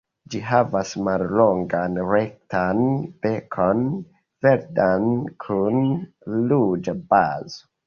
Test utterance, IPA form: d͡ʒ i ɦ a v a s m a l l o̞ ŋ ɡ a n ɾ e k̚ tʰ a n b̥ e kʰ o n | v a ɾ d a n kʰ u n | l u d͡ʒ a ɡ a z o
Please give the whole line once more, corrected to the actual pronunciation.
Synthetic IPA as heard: d͡ʒ i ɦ a v a s m a l l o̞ ŋ ɡ a n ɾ e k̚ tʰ a n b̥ e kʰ o n | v e ɾ d a n kʰ u n | l u d͡ʒ a b a z o